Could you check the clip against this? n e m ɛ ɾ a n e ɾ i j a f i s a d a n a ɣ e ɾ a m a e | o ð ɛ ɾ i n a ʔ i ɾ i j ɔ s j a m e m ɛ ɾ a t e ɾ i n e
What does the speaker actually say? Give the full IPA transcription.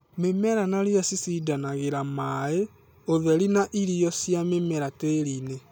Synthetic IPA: m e m ɛ ɾ a n a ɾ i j a s i s i d a n a ɣ e ɾ a m a e | o ð ɛ ɾ i n a ʔ i ɾ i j ɔ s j a m e m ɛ ɾ a t e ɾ i n e